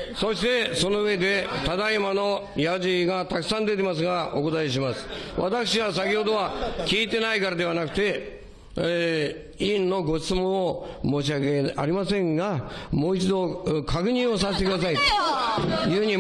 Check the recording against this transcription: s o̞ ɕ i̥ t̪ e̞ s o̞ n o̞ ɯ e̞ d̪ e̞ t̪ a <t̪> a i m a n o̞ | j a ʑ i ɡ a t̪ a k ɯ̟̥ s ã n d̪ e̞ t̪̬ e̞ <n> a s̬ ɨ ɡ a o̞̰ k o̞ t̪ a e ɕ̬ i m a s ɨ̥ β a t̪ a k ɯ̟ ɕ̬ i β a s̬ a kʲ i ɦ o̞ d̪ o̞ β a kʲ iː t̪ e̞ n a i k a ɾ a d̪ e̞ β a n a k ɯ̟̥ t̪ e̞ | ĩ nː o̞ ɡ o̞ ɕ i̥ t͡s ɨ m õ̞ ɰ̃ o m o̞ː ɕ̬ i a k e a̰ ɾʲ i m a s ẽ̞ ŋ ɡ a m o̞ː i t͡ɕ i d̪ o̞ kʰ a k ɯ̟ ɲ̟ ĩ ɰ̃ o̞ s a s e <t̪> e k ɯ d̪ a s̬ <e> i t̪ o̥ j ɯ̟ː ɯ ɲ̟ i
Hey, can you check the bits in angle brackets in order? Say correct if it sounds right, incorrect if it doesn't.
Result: incorrect, incorrect, correct, incorrect

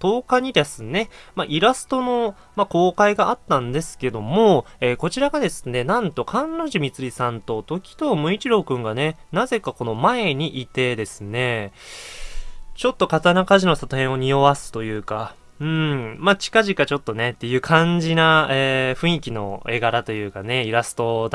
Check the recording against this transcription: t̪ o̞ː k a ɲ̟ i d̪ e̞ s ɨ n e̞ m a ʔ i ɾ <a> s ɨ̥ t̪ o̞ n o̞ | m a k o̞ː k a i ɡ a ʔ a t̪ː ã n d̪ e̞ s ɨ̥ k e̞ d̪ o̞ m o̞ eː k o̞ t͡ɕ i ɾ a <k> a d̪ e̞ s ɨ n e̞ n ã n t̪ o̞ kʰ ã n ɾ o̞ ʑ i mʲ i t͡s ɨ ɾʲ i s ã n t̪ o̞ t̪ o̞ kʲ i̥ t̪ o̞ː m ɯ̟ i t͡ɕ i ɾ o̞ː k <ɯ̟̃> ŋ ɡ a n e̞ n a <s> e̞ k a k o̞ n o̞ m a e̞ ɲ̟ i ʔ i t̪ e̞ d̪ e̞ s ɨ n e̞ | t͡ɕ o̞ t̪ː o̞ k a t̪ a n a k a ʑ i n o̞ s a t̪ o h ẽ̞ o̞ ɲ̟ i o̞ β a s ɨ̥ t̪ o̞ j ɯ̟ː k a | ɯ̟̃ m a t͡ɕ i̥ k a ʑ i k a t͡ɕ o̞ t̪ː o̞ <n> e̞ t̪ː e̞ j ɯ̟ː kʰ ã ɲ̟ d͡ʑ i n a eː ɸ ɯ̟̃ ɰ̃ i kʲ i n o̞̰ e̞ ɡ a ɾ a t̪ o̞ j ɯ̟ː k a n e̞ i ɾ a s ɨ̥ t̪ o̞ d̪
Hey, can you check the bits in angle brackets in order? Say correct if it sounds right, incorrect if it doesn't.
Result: correct, incorrect, correct, incorrect, correct

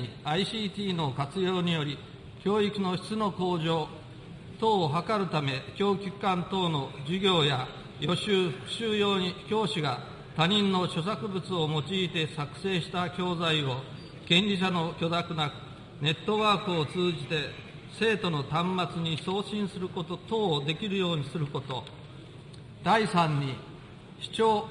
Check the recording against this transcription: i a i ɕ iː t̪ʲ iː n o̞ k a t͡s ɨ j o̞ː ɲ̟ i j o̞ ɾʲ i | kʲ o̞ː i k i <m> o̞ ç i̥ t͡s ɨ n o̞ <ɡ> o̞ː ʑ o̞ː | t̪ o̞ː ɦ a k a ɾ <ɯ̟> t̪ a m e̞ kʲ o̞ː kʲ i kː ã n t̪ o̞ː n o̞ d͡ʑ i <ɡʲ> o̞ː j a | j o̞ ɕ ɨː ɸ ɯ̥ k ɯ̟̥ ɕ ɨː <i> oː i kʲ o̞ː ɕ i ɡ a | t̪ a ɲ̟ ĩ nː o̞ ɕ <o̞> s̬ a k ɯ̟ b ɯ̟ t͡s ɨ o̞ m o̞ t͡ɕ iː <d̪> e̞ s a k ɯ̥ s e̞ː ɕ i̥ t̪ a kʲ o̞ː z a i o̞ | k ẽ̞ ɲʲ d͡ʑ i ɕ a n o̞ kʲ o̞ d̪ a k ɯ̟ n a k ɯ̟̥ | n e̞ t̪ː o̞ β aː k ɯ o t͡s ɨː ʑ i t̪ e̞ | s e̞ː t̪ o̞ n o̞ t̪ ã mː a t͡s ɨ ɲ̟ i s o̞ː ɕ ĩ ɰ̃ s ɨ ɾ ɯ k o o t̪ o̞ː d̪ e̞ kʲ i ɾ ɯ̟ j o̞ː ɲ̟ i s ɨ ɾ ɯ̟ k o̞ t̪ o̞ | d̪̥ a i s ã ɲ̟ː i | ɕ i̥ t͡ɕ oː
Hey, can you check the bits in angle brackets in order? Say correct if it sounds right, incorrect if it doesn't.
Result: incorrect, incorrect, correct, correct, incorrect, correct, incorrect

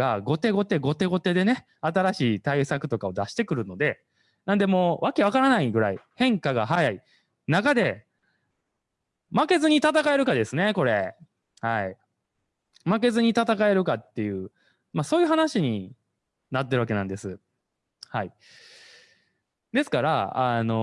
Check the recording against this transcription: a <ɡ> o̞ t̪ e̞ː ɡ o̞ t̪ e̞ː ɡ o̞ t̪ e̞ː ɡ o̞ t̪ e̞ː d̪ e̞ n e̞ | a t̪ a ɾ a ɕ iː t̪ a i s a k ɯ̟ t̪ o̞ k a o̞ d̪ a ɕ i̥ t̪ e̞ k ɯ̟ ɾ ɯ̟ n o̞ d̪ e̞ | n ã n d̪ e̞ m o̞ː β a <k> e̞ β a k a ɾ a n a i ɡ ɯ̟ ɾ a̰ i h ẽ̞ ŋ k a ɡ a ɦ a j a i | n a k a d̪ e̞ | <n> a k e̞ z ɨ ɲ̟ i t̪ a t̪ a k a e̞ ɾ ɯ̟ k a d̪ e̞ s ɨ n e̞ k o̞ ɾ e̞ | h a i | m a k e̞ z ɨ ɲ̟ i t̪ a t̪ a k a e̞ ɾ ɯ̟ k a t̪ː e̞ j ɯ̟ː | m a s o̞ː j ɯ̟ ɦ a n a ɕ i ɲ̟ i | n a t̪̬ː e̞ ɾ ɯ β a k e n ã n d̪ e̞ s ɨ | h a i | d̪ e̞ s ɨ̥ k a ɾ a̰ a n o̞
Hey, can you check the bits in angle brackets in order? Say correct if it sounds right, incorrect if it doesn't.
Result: correct, correct, incorrect

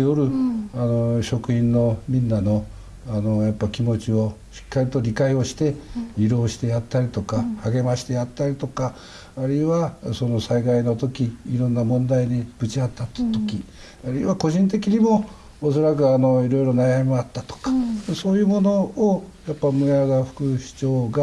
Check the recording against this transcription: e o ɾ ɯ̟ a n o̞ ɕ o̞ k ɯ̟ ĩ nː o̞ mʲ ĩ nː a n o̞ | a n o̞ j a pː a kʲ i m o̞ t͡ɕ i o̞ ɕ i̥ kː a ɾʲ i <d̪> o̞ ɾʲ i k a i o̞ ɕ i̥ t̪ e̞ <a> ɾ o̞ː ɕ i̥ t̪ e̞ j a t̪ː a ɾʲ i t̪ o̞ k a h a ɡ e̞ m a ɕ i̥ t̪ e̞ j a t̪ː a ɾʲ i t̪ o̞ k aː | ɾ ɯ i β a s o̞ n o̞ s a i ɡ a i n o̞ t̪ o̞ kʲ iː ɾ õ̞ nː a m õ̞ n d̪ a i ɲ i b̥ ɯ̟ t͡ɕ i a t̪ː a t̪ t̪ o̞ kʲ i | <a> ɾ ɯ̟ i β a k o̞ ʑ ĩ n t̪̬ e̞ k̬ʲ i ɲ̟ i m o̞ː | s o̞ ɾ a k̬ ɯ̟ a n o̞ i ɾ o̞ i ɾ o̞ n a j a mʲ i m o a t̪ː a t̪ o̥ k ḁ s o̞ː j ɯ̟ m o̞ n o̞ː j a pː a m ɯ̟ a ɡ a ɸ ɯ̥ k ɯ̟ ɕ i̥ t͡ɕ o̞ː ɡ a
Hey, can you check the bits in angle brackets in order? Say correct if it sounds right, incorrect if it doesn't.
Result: incorrect, incorrect, correct

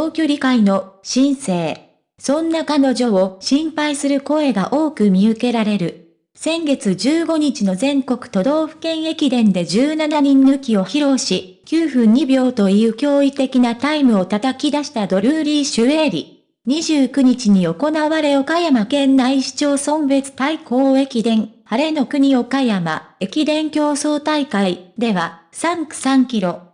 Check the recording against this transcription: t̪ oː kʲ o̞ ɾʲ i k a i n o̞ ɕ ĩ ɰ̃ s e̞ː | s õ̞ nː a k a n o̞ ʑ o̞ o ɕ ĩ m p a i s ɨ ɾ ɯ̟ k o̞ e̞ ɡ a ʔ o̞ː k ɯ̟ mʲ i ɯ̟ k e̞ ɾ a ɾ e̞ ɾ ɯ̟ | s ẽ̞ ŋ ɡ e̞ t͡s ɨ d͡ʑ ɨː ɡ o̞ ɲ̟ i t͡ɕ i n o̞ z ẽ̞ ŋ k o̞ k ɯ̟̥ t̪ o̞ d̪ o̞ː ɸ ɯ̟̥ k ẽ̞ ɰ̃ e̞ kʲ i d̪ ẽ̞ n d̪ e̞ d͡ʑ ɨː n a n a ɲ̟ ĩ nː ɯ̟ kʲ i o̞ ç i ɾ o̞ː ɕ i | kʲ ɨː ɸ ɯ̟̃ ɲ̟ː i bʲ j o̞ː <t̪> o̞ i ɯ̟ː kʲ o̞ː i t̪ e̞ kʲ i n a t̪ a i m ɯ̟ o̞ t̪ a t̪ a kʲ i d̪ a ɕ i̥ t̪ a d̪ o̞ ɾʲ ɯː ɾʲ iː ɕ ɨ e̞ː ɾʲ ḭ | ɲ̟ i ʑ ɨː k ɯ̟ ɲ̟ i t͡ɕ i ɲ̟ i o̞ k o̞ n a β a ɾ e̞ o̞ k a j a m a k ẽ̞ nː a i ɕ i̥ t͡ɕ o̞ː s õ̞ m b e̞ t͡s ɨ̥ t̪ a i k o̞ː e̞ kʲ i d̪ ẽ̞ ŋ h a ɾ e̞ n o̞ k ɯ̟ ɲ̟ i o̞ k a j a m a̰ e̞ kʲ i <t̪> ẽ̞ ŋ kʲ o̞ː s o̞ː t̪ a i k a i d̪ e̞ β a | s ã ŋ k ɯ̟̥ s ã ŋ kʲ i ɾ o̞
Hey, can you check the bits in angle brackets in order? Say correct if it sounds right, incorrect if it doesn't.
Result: correct, incorrect

